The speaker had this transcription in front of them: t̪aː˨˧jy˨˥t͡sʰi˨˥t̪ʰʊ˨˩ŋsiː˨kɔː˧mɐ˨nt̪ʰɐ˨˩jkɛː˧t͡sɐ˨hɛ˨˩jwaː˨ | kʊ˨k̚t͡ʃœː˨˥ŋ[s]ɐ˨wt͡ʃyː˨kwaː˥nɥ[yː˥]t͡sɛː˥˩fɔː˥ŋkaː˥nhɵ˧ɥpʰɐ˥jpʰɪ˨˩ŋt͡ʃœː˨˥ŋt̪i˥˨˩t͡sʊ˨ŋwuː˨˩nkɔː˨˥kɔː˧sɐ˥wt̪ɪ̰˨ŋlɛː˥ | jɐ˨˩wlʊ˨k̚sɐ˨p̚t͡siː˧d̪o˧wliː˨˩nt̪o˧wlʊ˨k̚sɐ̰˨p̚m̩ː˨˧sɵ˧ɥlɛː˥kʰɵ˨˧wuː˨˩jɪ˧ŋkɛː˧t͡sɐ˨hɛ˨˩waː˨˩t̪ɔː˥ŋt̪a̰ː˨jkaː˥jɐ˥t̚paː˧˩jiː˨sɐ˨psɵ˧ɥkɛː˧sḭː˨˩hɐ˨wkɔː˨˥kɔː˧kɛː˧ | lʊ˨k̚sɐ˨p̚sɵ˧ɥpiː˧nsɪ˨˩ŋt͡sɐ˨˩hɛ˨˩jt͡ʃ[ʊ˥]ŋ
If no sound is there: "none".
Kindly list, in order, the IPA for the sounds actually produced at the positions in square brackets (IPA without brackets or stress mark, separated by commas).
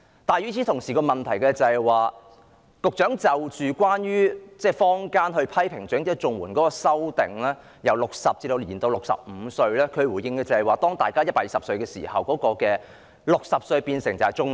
t͡s, yː˥, ʊ˥